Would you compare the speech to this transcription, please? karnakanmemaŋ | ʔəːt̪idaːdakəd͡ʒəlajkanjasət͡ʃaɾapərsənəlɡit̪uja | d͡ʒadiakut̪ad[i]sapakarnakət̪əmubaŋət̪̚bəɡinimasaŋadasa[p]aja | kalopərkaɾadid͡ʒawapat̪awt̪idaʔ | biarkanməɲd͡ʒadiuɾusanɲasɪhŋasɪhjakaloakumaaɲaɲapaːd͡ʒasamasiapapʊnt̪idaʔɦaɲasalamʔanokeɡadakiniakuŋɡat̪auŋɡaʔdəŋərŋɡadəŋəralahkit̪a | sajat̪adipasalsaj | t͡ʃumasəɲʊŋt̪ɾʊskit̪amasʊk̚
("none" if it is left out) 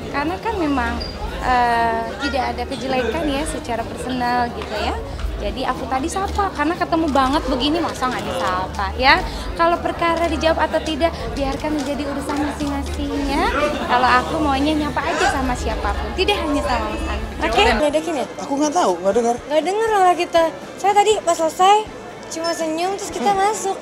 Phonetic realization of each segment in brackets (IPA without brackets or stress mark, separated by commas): i, p